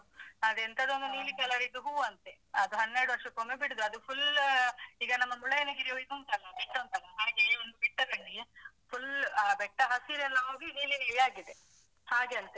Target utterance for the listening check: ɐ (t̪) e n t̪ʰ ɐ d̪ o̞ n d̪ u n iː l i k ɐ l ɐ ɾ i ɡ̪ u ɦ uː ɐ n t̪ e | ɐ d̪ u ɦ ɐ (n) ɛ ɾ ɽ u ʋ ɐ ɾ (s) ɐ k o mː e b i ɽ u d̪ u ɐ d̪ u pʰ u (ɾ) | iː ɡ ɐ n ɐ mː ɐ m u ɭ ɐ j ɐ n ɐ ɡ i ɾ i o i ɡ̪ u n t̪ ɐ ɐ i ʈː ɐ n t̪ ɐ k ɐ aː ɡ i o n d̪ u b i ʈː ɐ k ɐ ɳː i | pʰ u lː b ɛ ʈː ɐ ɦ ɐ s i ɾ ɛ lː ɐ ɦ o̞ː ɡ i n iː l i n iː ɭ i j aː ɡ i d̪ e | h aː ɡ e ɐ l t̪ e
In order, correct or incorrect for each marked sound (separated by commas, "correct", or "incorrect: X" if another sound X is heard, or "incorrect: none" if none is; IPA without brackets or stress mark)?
incorrect: d̪, incorrect: nː, incorrect: ʂ, incorrect: l